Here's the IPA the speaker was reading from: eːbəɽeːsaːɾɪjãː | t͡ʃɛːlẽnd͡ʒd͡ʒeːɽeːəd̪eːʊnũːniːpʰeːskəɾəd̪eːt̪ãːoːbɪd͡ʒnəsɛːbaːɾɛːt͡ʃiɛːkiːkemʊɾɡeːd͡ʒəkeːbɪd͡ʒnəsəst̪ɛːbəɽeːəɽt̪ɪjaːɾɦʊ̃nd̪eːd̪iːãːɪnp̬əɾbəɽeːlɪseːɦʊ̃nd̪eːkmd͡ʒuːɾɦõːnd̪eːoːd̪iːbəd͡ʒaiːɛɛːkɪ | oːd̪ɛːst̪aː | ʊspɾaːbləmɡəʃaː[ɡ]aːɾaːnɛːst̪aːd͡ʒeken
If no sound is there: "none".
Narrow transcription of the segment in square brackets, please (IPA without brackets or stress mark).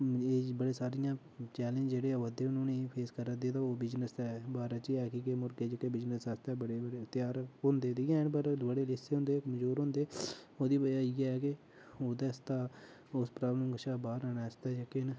b